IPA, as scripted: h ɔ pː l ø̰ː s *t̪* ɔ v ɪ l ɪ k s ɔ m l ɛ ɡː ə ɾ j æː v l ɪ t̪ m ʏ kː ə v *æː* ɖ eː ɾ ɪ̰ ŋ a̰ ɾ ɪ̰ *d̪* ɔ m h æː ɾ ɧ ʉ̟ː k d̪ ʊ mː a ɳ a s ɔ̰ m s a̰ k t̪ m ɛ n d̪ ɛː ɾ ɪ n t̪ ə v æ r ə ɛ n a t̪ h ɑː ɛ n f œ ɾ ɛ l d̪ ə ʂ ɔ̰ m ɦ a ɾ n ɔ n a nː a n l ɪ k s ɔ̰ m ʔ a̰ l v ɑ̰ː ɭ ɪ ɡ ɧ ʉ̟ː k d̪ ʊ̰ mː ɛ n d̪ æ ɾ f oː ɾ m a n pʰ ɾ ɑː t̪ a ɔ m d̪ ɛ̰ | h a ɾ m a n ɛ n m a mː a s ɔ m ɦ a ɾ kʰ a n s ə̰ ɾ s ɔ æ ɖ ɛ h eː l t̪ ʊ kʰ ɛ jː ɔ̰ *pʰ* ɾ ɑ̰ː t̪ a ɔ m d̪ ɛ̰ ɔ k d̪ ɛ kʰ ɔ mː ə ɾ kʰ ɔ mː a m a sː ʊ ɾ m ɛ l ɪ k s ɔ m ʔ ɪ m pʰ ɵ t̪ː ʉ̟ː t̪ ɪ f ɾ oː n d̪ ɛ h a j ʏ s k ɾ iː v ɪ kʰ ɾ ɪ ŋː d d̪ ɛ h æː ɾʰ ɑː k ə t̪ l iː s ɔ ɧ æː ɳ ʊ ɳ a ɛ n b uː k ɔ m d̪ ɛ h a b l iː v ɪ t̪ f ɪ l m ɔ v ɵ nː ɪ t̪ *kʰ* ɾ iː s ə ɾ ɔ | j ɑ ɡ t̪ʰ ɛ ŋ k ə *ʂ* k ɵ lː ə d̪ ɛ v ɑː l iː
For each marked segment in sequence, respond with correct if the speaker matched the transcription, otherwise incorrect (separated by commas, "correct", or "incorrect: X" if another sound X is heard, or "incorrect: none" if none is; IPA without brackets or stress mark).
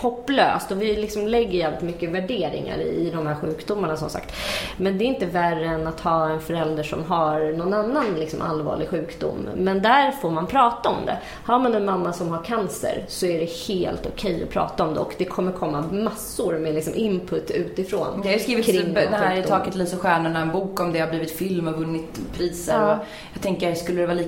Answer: correct, incorrect: æ, correct, correct, incorrect: pʰ, incorrect: s